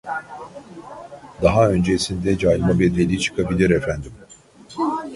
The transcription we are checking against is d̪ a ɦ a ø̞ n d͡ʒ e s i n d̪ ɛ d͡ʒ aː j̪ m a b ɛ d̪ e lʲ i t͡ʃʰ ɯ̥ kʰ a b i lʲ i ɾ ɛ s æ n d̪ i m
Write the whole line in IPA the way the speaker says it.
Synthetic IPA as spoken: d̪ a ɦ a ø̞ n d͡ʒ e s i n d̪ ɛ d͡ʒ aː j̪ m a b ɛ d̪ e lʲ i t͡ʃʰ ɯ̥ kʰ a b i lʲ i ɾ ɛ f æ n d̪ i m